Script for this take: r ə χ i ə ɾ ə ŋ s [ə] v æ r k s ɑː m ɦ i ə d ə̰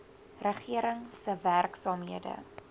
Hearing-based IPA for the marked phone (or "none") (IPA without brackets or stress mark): ə